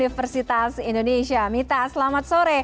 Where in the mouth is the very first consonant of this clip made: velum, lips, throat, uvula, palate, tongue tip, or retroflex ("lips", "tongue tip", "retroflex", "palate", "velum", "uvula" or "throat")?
lips